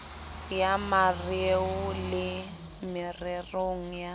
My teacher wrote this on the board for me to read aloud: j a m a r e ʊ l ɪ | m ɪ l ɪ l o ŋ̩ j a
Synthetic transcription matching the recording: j a m a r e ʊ l ɪ | m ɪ r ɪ r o ŋ̩ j a